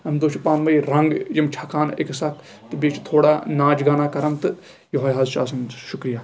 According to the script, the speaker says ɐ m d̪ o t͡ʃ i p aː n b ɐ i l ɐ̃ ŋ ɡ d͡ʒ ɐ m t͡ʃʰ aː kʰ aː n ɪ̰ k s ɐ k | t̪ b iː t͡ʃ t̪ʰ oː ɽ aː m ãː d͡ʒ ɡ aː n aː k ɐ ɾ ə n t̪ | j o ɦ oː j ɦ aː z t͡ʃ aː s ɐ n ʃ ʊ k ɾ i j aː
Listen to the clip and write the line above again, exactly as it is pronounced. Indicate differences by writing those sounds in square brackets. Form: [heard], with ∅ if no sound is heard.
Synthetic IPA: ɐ m d̪ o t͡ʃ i p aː n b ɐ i [ɾ] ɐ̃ ŋ ɡ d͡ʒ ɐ m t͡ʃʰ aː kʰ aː n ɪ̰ k s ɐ k | t̪ b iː t͡ʃ t̪ʰ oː ɽ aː [n] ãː d͡ʒ ɡ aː n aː k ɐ ɾ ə n t̪ | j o ɦ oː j ɦ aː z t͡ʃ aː s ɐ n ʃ ʊ k ɾ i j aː